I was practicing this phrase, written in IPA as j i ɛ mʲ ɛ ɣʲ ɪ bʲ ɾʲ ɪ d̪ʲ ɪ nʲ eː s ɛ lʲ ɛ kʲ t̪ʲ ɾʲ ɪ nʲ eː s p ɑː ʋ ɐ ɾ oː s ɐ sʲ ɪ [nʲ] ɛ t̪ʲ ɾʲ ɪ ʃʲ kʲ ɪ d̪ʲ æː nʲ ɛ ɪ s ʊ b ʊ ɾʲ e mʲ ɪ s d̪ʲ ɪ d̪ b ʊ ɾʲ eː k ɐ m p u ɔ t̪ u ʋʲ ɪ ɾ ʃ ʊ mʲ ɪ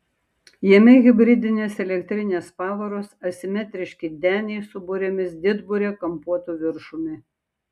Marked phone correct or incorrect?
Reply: incorrect